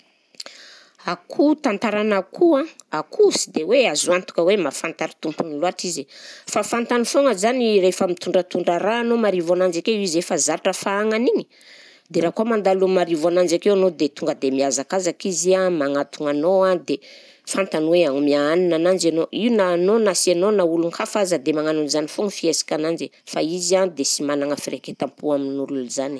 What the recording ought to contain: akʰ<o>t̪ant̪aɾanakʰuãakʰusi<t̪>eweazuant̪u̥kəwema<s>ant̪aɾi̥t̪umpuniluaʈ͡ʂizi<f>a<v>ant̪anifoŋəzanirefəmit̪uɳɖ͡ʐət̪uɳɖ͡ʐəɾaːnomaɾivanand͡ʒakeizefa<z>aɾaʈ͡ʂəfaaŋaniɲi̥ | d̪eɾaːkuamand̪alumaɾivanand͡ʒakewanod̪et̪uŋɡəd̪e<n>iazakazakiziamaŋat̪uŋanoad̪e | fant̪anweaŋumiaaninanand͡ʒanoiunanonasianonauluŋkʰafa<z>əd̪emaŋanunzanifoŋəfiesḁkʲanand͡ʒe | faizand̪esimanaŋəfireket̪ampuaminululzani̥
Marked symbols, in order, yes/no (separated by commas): no, no, no, yes, no, yes, no, yes